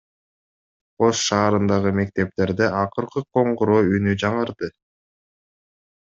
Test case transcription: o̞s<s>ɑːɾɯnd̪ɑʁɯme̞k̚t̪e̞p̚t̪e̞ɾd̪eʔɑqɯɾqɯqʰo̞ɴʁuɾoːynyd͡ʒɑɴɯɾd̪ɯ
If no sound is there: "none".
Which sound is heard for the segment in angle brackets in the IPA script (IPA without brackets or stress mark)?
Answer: ʃ